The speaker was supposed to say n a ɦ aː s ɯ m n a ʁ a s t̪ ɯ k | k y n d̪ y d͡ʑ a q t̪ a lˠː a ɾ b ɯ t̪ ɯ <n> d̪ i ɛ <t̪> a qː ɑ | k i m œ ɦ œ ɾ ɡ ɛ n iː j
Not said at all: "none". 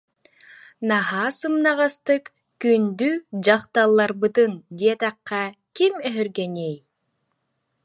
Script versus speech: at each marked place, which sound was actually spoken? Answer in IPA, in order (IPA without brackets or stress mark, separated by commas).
n, t̪